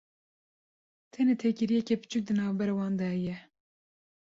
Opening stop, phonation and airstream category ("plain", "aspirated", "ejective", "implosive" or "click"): aspirated